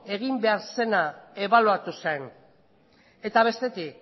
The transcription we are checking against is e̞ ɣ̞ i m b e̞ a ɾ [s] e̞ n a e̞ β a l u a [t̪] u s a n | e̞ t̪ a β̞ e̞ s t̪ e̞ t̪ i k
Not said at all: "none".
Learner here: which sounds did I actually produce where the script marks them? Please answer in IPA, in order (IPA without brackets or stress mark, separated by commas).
s, t̪